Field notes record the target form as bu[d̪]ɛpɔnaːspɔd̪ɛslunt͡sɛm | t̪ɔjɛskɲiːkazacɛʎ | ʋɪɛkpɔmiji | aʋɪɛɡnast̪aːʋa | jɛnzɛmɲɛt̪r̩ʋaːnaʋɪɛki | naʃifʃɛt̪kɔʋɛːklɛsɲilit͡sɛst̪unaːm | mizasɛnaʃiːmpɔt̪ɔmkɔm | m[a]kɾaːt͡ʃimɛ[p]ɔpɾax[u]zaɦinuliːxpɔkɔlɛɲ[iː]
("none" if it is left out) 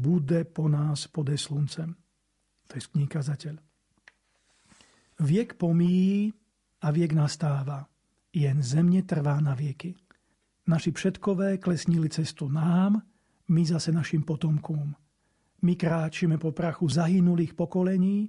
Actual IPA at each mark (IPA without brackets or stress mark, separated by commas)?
d̪, i, p, u, iː